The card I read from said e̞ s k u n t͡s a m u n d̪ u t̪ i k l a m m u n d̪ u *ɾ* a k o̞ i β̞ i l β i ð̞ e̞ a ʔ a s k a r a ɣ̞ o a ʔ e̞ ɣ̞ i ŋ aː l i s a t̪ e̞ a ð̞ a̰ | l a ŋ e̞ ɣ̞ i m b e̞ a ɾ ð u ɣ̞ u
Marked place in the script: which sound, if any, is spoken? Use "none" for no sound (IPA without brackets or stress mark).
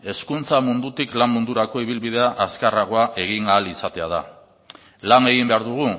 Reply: ɾ